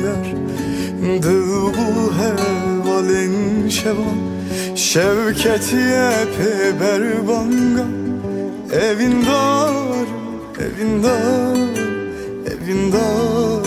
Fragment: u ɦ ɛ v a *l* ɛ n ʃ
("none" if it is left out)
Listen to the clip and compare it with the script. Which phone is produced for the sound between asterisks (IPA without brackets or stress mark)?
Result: l